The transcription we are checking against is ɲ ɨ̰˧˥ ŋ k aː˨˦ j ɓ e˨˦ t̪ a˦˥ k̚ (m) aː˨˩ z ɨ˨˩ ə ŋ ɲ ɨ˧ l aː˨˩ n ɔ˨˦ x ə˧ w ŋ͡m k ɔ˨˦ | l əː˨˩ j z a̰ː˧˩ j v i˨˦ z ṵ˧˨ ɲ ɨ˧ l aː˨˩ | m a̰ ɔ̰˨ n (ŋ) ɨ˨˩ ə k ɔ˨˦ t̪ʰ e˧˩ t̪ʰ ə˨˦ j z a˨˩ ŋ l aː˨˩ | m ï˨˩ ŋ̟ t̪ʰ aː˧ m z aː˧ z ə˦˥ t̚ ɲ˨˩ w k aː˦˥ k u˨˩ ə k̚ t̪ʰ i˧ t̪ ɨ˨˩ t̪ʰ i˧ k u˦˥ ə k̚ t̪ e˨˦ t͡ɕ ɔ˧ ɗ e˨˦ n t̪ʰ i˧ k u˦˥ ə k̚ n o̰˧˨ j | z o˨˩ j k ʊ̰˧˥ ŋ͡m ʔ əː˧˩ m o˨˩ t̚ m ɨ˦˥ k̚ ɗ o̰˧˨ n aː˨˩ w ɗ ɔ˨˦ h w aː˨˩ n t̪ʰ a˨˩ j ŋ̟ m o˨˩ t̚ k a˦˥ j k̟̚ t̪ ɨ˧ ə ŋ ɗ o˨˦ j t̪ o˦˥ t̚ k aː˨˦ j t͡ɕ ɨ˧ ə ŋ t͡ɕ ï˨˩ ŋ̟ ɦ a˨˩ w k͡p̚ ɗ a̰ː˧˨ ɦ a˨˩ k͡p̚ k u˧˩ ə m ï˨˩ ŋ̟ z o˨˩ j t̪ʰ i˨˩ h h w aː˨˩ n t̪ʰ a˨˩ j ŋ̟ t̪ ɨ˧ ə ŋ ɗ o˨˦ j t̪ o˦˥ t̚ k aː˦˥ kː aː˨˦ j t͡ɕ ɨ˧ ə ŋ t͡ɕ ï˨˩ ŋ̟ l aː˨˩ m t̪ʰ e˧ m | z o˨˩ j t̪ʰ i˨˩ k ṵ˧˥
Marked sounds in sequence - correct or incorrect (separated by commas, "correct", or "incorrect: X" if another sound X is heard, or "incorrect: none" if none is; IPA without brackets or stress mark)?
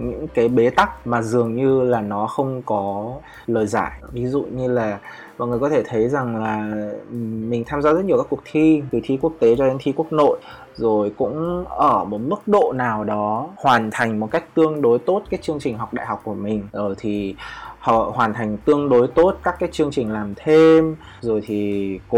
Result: correct, correct